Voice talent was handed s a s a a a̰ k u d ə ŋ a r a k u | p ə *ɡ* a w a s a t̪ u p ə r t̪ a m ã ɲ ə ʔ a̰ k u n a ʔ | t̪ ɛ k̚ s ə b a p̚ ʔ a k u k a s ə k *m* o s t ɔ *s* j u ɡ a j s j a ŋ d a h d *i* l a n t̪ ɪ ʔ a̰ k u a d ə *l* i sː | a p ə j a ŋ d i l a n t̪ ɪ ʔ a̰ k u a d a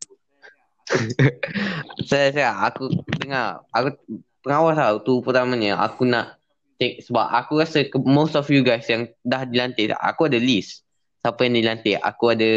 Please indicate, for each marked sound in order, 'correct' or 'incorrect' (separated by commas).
incorrect, correct, incorrect, correct, correct